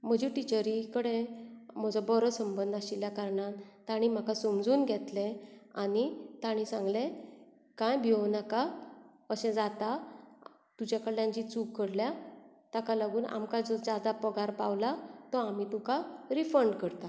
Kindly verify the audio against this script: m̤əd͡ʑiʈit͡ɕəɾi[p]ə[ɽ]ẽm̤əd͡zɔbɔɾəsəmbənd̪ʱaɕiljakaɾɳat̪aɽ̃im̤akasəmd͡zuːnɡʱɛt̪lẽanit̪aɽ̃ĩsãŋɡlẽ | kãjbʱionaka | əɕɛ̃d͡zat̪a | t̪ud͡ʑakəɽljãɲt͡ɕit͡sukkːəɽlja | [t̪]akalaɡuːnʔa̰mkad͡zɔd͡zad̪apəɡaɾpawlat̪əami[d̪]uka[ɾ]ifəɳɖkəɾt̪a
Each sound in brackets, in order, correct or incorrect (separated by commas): incorrect, correct, correct, incorrect, correct